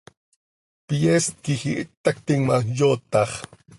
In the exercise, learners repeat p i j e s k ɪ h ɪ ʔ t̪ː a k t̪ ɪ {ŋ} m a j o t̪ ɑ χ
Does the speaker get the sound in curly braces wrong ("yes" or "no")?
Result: no